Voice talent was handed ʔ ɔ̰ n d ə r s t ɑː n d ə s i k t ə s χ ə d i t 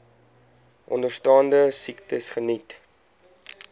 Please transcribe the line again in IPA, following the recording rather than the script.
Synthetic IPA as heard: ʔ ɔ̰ n d ə r s t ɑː n d ə s i k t ə s χ ə n i t